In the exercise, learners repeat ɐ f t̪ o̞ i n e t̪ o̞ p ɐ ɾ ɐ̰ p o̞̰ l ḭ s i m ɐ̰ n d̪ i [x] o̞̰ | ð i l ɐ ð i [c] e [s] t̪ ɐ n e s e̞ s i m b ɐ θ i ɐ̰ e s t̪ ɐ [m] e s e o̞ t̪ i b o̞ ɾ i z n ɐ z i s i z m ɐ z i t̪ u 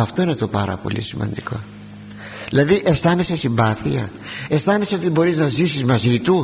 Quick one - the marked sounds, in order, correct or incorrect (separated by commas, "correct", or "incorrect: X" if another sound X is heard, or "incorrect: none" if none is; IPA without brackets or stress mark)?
incorrect: k, incorrect: ʔ, correct, incorrect: n